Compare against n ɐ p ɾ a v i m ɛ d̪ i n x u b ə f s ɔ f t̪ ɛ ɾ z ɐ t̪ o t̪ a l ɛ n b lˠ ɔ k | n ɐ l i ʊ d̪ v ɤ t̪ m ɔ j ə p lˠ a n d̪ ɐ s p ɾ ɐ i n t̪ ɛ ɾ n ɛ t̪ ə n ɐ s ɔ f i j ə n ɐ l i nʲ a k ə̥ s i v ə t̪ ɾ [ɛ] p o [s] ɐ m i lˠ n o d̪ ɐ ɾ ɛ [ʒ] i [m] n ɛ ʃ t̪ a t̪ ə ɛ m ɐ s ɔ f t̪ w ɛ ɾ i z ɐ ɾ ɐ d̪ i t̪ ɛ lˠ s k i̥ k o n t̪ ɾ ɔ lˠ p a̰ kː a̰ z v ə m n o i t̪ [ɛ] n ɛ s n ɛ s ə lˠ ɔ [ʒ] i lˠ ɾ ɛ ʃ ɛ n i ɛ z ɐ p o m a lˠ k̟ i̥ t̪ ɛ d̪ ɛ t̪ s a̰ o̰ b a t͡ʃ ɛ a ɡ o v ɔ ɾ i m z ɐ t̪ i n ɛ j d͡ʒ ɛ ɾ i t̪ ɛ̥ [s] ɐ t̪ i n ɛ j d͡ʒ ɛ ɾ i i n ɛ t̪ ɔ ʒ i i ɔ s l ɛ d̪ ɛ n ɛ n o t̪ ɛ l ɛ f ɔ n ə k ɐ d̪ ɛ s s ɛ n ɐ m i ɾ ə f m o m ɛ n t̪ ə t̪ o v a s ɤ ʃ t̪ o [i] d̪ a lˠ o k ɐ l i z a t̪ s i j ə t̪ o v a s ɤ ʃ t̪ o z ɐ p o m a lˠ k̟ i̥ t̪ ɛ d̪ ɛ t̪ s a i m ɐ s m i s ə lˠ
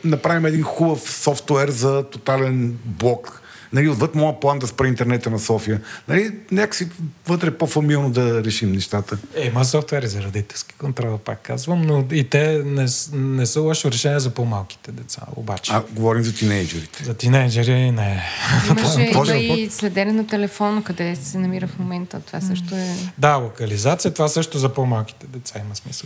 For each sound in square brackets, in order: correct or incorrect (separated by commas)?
correct, incorrect, incorrect, correct, correct, incorrect, incorrect, incorrect